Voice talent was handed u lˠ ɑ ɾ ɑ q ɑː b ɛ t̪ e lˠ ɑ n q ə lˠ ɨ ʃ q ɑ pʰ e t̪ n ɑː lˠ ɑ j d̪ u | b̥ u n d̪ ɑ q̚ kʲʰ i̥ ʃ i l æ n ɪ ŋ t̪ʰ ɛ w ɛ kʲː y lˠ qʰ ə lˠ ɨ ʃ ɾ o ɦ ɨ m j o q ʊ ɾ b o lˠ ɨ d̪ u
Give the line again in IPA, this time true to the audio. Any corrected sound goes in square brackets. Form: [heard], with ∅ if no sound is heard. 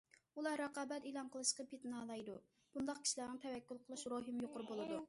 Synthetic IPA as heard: u lˠ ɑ ɾ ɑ q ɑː b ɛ t̪ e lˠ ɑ n q ə lˠ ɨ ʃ q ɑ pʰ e t̪ n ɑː lˠ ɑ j d̪ u | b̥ u n d̪ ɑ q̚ [kʲ] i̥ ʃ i l æ n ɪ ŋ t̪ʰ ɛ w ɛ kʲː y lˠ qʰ ə lˠ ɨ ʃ ɾ o ɦ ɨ m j o q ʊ ɾ b o lˠ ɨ d̪ u